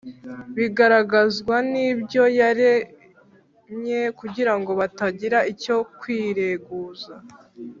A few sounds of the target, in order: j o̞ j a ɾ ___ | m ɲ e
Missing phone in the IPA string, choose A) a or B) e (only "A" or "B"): B